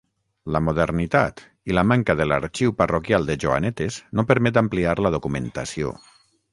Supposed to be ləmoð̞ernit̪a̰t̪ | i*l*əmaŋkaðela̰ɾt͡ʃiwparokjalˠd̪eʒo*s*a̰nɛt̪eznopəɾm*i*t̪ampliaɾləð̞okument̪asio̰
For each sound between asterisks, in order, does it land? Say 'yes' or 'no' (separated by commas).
yes, no, no